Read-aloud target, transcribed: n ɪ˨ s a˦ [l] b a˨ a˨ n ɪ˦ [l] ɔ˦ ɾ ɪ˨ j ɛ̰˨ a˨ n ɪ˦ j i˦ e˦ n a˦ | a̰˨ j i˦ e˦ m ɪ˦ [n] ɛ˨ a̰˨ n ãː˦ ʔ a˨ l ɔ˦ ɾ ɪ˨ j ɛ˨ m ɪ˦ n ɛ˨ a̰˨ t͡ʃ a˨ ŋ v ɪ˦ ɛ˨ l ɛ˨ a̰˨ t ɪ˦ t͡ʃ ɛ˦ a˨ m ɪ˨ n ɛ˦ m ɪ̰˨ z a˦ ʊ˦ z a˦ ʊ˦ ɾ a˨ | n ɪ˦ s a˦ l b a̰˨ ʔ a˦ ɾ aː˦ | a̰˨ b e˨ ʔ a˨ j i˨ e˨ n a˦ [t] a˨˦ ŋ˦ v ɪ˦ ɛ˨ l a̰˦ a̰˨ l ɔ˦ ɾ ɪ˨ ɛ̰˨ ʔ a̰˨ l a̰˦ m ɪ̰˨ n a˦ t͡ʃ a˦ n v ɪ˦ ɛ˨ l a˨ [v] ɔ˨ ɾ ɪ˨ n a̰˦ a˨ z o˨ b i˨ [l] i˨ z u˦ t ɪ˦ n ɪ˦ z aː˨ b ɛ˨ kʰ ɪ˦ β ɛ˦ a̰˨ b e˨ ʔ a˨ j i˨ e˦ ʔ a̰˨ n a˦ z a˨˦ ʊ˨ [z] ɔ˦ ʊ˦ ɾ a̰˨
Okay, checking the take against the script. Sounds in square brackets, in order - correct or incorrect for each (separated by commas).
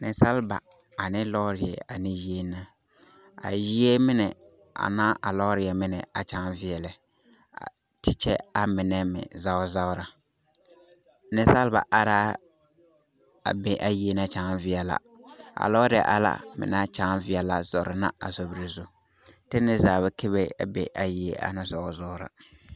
correct, correct, correct, incorrect, incorrect, incorrect, correct